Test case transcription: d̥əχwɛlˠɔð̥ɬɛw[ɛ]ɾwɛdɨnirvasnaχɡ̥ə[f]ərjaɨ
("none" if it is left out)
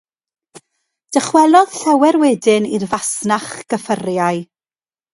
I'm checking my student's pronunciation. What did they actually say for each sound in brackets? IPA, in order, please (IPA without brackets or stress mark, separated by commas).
ɛ, f